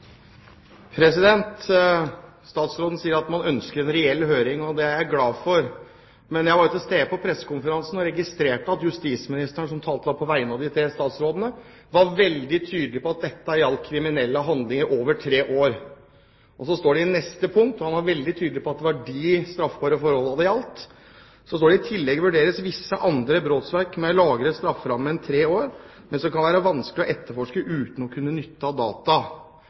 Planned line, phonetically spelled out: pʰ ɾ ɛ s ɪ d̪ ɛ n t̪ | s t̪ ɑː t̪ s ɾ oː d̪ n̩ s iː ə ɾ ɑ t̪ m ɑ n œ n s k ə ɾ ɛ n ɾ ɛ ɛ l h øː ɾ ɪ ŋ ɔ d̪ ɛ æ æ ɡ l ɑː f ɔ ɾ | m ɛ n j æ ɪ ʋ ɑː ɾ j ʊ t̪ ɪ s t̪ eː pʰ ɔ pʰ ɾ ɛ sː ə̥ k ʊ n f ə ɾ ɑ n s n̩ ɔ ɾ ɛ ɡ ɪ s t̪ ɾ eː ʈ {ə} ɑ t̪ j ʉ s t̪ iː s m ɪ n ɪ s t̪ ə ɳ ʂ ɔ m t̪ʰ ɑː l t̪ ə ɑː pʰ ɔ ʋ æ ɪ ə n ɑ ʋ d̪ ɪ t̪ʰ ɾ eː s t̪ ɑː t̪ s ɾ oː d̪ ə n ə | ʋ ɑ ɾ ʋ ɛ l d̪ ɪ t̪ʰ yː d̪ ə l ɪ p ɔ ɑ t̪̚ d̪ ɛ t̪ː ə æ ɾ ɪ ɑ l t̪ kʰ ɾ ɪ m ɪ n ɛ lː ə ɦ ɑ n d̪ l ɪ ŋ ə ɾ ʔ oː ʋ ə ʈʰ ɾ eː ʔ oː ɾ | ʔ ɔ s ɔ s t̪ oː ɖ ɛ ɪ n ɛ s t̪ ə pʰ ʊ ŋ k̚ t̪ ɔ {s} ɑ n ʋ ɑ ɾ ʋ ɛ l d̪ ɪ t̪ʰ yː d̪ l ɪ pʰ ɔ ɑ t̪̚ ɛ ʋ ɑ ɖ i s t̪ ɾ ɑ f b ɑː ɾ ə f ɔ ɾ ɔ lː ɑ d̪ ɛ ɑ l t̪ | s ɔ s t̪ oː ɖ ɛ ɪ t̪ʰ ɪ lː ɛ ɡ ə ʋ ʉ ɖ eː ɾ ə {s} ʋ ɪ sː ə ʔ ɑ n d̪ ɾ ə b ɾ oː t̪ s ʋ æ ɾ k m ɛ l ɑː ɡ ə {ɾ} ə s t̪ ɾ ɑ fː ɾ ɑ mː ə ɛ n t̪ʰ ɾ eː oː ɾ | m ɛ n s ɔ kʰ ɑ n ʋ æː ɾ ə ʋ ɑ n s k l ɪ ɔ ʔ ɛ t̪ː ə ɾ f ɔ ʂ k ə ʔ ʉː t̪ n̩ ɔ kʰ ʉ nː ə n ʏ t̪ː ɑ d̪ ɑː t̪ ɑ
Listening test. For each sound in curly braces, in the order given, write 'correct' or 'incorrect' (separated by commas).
correct, incorrect, correct, correct